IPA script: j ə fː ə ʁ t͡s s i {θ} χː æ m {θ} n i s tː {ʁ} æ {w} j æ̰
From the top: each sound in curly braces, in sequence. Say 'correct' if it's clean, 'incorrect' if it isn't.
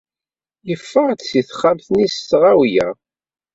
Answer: correct, correct, correct, correct

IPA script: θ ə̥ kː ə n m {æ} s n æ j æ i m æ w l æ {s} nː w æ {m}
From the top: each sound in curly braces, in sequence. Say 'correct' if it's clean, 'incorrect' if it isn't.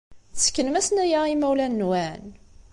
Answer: correct, incorrect: none, incorrect: n

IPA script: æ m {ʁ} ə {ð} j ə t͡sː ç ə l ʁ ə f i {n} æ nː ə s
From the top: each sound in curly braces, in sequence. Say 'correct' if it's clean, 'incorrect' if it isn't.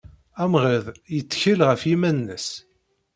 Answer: correct, correct, incorrect: m

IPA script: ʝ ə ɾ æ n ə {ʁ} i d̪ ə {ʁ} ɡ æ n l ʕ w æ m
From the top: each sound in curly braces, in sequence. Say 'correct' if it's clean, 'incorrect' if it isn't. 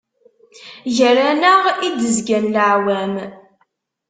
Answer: correct, incorrect: z

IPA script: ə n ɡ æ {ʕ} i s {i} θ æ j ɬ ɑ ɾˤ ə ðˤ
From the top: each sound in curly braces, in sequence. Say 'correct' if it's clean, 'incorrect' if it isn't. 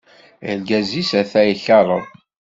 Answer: incorrect: z, incorrect: æ

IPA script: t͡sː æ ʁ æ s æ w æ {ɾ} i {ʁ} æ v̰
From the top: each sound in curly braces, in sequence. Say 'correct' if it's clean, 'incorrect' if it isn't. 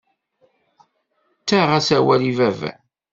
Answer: incorrect: l, incorrect: v

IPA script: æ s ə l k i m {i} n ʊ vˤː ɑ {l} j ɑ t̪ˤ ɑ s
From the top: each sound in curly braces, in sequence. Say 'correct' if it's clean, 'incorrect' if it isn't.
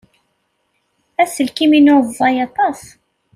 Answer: correct, incorrect: none

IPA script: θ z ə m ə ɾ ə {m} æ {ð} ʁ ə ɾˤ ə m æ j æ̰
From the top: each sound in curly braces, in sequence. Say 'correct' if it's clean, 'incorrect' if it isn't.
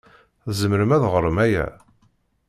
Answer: correct, correct

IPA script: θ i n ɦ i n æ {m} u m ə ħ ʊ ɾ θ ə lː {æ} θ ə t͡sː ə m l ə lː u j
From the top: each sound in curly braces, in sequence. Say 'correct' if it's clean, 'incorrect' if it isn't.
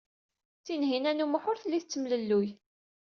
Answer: incorrect: n, incorrect: i

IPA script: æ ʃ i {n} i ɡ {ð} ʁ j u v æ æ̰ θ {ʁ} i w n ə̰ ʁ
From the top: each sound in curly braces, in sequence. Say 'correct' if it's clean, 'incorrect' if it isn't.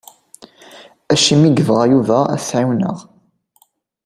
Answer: incorrect: m, incorrect: v, incorrect: ʕ

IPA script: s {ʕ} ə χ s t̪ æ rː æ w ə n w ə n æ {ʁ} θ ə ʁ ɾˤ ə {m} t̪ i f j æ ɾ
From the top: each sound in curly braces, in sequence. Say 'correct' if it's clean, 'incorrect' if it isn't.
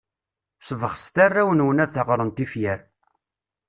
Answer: incorrect: v, incorrect: ð, incorrect: n

